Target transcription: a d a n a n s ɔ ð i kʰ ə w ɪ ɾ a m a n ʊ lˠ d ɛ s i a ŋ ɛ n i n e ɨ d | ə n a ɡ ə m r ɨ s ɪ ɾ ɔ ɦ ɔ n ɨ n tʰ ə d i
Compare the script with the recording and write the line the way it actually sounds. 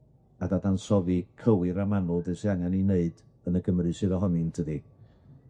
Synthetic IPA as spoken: a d a d a n s ɔ v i kʰ ə w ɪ ɾ a m a n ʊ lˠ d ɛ s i a ŋ a n i n e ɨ d | ə n ə ɡ ə m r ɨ s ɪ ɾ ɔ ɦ ɔ n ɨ n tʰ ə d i